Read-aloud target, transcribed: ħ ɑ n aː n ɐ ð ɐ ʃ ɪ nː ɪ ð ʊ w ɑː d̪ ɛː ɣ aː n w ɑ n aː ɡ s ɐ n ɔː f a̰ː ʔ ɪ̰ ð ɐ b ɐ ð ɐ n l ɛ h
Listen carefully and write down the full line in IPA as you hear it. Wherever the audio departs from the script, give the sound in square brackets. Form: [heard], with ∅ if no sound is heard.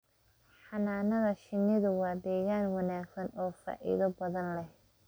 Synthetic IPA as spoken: ħ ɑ n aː n ɐ ð ɐ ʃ ɪ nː ɪ ð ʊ w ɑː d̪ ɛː ɣ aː n w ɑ n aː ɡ s ɐ n ɔː f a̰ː ʔ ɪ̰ ð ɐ b ɐ ð ɐ n l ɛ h